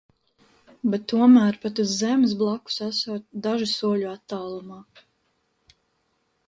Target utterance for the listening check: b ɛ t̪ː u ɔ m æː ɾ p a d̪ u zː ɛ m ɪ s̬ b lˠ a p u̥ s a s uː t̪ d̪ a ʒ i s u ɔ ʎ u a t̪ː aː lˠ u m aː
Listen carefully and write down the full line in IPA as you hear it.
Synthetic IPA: b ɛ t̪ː u ɔ m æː ɾ p a t̪ u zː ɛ m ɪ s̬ b lˠ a k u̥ s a s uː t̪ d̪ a ʒ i s u ɔ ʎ u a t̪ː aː lˠ u m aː